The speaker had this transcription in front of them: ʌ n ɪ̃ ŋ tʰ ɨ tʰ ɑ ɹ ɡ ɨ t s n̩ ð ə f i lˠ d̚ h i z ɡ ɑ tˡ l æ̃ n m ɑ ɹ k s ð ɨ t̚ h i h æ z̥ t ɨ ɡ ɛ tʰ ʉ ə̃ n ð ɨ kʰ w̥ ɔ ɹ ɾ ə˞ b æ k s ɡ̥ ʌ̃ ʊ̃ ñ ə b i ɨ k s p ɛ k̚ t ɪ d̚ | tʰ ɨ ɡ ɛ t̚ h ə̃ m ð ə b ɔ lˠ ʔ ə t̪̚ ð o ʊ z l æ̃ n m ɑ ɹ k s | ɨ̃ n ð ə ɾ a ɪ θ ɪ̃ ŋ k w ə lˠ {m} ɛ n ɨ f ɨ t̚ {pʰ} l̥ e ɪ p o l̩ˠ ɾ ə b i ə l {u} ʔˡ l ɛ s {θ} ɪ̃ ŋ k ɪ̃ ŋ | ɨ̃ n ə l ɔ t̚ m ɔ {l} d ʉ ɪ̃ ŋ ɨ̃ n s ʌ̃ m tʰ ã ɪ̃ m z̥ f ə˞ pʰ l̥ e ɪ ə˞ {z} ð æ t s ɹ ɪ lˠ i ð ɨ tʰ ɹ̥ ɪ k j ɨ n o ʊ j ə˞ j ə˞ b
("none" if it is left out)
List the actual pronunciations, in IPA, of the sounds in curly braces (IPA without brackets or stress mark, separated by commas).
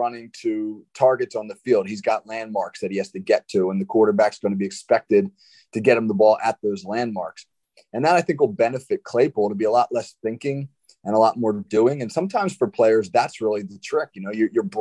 b, kʰ, ɔ, θ, ɹ, z